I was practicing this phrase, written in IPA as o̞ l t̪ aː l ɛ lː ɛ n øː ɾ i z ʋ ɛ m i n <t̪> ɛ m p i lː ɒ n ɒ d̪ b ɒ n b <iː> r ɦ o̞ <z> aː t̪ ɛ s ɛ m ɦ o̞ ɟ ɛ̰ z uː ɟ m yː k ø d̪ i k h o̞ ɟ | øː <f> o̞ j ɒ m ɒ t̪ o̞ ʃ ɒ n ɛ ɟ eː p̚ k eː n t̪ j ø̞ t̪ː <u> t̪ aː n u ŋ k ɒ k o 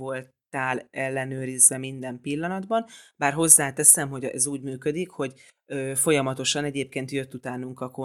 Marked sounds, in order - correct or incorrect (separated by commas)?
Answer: incorrect, incorrect, incorrect, correct, correct